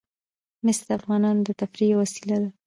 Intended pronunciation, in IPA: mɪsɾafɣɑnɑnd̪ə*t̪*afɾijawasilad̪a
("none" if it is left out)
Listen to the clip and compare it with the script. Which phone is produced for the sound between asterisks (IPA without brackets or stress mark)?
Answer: t̪